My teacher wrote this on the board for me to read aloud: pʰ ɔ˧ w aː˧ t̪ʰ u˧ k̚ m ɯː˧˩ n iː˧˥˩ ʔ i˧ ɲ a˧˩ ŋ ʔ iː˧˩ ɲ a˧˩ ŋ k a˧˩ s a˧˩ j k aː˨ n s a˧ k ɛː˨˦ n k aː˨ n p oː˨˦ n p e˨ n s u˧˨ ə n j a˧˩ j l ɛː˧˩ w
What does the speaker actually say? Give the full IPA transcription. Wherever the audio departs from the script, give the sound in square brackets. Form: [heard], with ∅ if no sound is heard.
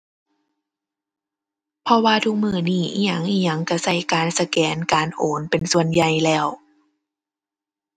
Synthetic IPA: pʰ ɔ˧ w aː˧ t̪ʰ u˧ k̚ m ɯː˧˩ n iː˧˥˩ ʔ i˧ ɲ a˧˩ ŋ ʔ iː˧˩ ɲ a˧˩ ŋ k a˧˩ s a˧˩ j k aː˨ n s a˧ k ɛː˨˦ n k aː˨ n [ʔ] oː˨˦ n p e˨ n s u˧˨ ə n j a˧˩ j l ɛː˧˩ w

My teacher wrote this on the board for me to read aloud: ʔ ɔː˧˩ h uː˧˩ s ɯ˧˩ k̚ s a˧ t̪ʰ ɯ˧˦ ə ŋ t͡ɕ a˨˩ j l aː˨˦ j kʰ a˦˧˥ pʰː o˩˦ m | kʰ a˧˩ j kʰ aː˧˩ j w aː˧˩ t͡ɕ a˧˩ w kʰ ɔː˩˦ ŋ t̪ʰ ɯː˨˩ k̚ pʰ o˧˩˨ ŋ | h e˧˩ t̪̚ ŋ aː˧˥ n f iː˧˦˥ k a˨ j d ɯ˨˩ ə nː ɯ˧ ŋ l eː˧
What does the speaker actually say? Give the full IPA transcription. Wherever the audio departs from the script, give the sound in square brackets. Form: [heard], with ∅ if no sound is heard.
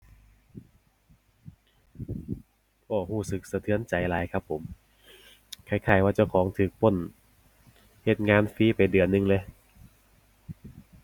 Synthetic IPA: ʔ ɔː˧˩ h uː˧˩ s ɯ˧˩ k̚ s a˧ t̪ʰ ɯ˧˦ ə [n] t͡ɕ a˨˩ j l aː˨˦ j kʰ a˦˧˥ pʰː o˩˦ m | kʰ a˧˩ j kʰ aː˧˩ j w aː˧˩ t͡ɕ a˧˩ w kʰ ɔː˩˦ ŋ t̪ʰ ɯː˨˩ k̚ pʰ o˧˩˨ [n] | h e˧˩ t̪̚ ŋ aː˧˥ n f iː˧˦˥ [p] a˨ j d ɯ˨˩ ə nː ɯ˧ ŋ l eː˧

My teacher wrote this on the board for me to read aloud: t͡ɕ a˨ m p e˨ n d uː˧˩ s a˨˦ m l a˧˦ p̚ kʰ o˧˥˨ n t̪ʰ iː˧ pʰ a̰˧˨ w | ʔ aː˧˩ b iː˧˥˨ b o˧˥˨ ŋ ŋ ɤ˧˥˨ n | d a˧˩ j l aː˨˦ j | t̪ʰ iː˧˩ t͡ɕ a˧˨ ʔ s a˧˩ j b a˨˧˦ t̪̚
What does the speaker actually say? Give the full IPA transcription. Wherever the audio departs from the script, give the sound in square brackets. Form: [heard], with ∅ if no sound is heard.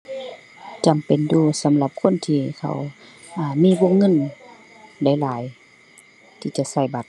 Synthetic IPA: t͡ɕ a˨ m p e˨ n d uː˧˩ s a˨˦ m l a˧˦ p̚ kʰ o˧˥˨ n t̪ʰ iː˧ [kʰ] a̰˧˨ w | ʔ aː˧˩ [m] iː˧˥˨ b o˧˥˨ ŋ ŋ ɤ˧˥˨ n | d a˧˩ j l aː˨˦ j | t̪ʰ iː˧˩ t͡ɕ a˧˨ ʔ s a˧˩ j b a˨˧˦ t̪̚

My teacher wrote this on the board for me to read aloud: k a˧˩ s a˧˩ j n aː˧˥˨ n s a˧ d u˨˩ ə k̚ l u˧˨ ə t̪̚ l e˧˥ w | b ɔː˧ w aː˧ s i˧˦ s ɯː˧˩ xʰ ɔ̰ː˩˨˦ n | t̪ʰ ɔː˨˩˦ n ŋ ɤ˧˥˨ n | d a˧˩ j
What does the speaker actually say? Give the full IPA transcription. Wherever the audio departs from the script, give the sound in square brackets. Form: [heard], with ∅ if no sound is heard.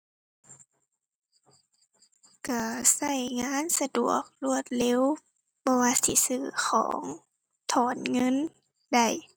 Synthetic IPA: k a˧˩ s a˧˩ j [ŋ] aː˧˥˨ n s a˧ d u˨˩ ə k̚ l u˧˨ ə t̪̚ l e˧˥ w | b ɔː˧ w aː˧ s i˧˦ s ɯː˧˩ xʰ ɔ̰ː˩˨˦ [ŋ] | t̪ʰ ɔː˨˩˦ n ŋ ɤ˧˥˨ n | d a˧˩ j

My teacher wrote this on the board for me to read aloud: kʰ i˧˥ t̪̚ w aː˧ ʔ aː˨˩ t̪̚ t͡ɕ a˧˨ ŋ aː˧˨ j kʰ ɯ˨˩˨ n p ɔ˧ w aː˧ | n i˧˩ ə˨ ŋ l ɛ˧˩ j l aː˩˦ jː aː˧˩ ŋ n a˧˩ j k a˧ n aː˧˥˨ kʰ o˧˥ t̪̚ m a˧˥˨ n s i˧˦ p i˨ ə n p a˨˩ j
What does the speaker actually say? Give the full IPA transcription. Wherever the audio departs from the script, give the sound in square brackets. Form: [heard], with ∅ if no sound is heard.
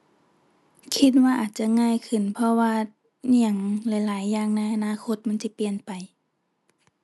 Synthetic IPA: kʰ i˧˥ t̪̚ w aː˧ ʔ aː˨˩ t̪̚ t͡ɕ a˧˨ ŋ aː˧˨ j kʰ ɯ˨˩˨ n [pʰ] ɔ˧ w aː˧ | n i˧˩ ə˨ ŋ l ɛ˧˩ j l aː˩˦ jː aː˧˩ ŋ n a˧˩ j [ʔ] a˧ n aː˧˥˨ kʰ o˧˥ t̪̚ m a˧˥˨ n s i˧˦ p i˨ ə n p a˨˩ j

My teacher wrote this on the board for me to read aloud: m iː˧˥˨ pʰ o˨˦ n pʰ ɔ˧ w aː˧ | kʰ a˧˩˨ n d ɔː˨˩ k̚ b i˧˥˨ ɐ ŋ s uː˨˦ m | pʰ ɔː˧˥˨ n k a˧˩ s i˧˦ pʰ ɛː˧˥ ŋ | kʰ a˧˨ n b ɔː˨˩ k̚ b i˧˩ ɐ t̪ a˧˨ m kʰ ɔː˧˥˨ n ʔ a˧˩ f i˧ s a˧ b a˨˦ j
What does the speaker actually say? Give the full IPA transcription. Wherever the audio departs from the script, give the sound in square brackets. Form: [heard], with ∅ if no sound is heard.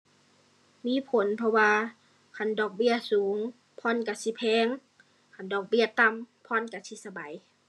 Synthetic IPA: m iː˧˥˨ pʰ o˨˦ n pʰ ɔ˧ w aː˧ | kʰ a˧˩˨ n d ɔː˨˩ k̚ b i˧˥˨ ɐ [∅] s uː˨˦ [ŋ] | pʰ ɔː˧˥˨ n k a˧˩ s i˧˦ pʰ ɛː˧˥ ŋ | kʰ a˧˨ n [d] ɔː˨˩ k̚ b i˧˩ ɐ t̪ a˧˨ m [pʰ] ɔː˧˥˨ n [k] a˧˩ [s] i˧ s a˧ b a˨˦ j

